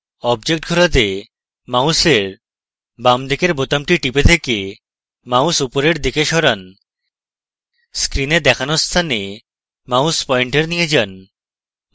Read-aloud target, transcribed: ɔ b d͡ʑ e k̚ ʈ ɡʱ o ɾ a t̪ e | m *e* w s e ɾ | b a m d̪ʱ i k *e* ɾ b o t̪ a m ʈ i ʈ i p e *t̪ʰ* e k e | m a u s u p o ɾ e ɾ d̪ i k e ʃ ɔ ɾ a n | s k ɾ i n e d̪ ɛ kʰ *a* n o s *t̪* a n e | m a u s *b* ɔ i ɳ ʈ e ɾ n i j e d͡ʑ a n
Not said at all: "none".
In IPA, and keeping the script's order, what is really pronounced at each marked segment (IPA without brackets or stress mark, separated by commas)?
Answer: a, e, t̪ʰ, a, t̪ʰ, p